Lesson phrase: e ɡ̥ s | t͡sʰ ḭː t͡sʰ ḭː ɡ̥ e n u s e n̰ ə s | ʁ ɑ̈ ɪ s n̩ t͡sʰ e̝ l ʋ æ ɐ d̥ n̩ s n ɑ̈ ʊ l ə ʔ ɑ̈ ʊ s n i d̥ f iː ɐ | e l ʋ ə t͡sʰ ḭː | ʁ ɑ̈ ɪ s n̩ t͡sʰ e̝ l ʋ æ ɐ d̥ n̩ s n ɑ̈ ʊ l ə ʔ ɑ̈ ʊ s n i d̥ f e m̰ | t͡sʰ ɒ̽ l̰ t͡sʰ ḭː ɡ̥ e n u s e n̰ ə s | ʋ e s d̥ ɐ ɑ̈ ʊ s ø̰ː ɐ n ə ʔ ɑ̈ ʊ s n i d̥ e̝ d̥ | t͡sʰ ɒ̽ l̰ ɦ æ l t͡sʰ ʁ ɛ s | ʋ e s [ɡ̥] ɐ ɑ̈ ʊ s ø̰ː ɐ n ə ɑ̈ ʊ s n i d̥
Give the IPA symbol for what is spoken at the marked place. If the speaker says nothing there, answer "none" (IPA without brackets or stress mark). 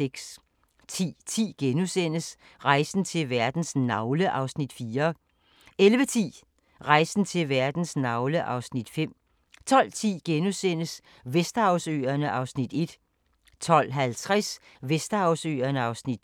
d̥